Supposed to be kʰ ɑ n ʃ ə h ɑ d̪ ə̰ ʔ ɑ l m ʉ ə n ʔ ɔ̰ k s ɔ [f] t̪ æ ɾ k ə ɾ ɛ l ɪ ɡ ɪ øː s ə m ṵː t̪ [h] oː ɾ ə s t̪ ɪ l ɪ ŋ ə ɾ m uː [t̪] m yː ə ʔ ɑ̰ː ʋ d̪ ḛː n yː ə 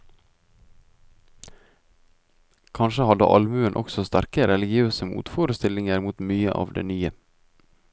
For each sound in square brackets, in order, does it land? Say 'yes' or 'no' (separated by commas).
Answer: no, no, yes